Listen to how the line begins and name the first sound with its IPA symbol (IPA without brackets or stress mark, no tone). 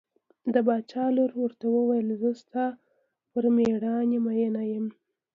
d̪